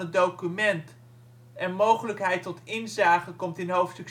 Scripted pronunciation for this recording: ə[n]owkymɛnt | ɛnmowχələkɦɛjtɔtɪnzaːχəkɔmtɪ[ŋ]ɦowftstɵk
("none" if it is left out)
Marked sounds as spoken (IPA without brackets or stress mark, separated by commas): d, n